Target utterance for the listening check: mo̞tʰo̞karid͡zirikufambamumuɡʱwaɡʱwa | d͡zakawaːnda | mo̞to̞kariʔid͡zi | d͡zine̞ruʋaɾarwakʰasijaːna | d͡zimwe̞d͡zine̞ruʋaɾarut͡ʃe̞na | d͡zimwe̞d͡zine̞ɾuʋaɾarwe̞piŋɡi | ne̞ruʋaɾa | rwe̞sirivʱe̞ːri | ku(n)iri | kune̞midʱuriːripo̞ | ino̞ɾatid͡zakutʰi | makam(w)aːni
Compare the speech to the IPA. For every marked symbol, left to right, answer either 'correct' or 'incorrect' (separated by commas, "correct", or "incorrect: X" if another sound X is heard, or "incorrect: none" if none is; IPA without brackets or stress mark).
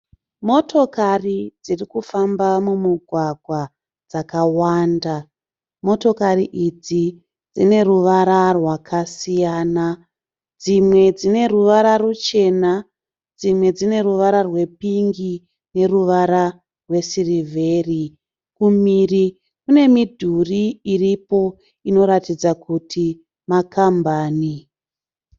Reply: incorrect: m, incorrect: b